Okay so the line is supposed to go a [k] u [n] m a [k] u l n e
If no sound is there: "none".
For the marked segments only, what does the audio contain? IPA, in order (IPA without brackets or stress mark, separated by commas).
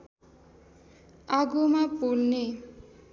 ɡ, none, p